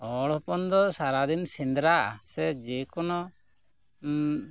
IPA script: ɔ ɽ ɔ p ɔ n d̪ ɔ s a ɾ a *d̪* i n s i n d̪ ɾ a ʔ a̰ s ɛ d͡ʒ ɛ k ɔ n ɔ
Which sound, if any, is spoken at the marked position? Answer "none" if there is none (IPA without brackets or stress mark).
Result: d̪